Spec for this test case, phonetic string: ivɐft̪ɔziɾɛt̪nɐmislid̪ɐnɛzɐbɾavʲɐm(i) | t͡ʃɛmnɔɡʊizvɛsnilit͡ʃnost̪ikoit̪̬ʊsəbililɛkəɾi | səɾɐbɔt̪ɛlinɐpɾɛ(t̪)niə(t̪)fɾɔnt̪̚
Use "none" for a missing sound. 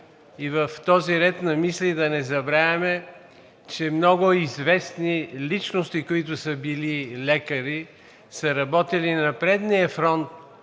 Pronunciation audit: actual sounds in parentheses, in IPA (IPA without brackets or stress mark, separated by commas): ɛ, d̪, none